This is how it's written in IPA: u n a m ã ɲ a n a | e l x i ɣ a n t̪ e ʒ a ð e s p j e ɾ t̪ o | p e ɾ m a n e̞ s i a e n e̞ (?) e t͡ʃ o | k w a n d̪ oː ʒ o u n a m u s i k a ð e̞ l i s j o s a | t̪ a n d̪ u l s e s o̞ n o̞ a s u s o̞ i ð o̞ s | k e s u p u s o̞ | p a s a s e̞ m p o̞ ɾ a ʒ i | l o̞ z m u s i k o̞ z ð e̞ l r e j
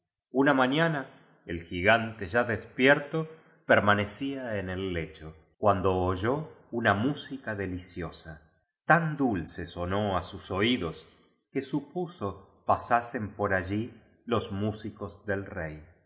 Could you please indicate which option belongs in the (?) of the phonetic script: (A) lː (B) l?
A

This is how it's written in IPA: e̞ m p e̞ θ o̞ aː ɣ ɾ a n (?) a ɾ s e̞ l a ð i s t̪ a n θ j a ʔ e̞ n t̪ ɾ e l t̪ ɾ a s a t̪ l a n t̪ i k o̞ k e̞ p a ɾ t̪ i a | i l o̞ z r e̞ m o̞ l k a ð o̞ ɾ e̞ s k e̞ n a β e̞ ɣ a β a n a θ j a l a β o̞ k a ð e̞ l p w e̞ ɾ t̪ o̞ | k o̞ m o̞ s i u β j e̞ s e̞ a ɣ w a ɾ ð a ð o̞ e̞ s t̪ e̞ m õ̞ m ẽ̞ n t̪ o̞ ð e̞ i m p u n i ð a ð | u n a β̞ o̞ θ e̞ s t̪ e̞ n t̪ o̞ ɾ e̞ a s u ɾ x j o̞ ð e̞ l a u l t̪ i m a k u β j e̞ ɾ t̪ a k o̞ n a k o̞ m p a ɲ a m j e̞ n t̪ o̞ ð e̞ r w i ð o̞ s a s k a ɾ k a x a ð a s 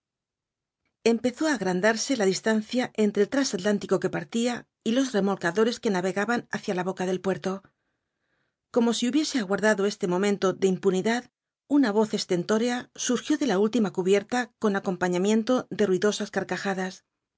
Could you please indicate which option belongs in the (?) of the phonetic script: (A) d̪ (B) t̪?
A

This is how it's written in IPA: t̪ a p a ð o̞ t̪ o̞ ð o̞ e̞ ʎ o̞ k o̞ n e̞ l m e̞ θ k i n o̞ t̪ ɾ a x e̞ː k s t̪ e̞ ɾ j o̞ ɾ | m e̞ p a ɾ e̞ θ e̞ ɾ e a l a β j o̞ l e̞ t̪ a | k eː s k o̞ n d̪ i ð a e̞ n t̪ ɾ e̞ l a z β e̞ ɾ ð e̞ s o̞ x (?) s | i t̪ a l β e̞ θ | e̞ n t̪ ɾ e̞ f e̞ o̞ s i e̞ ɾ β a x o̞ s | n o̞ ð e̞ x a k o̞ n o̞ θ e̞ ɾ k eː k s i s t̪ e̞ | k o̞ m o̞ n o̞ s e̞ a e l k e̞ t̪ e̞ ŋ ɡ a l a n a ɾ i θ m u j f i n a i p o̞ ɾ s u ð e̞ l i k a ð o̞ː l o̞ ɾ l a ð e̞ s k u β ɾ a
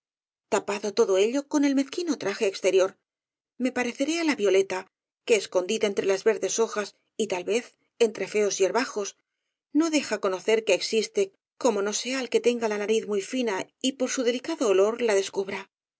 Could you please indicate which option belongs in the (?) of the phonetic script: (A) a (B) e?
A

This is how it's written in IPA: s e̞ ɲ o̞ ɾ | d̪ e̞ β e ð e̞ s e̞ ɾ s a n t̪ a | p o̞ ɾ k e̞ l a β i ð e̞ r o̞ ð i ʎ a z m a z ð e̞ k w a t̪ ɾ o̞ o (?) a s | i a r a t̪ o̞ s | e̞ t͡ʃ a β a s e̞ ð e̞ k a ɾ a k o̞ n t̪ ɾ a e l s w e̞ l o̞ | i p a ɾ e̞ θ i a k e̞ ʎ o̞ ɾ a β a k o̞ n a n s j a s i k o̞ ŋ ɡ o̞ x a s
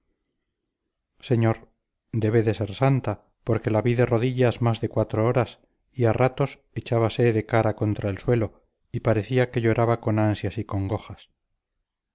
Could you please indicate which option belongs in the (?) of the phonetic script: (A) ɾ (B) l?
A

